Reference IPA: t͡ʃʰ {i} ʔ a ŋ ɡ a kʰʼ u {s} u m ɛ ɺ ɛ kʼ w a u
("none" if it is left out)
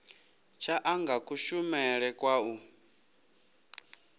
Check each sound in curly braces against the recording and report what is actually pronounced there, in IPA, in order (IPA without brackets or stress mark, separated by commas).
a, ʃ